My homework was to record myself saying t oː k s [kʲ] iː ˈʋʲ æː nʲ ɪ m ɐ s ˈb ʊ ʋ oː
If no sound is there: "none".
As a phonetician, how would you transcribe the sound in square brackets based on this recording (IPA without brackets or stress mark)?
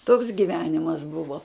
ɡʲ